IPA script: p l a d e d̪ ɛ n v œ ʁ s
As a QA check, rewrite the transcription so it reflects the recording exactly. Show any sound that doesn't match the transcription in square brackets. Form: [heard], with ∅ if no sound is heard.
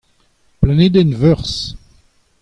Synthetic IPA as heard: p l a [n] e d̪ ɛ n v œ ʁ s